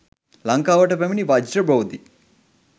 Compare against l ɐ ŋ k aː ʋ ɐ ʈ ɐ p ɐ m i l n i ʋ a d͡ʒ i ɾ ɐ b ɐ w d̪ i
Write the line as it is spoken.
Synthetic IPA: l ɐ ŋ k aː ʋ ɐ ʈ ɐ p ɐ m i n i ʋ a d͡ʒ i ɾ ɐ b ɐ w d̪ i